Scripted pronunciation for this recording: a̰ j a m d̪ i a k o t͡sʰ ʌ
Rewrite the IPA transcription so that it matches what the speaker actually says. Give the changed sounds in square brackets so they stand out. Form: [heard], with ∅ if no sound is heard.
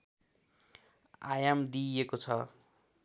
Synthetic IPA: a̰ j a m d̪ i [e] k o t͡sʰ ʌ